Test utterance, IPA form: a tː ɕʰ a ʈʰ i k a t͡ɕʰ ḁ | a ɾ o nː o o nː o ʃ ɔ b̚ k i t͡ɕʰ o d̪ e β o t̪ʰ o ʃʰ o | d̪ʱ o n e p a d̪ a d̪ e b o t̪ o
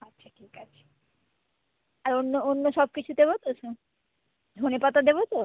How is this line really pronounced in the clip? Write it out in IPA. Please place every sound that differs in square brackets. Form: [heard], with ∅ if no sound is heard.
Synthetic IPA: a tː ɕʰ a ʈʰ i k a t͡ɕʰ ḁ | a ɾ o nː o o nː o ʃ ɔ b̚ k i t͡ɕʰ [u] d̪ e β o [t̪] o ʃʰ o | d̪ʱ o n e p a [t̪] a d̪ e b o t̪ o